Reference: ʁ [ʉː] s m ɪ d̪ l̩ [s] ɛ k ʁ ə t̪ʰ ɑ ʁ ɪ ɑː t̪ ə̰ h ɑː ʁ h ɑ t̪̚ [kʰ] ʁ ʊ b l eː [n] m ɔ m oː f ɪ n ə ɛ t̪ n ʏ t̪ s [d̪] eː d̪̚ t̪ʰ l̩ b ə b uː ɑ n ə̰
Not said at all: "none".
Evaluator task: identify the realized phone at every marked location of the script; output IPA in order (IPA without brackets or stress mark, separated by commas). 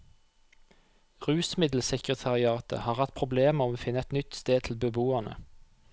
ʉː, s, pʰ, none, t̪